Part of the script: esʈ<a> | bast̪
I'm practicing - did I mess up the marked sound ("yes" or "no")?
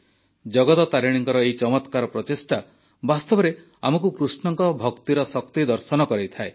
no